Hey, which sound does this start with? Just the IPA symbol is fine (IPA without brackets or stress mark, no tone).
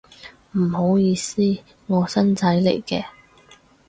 m̩